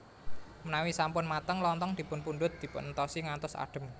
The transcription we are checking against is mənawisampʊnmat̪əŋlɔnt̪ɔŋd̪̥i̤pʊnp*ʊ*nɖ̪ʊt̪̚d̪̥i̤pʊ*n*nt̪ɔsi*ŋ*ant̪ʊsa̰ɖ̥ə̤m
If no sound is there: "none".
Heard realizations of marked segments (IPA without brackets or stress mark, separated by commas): u, n, ŋ